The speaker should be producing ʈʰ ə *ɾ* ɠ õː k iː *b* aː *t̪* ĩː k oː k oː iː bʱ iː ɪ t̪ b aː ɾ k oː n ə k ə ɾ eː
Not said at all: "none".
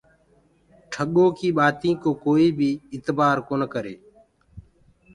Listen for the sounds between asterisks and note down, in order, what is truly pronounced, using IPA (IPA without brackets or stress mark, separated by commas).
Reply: none, ɓ, t̪